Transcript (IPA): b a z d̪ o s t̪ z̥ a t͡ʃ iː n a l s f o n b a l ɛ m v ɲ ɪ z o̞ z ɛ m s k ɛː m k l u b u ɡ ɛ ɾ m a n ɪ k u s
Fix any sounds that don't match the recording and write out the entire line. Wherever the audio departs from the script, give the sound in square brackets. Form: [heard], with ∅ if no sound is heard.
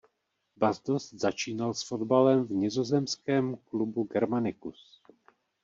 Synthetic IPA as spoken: b a z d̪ o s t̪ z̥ a t͡ʃ iː n a l s f o [d] b a l ɛ m v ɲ ɪ z o̞ z ɛ m s k ɛː m k l u b u ɡ ɛ ɾ m a n ɪ k u s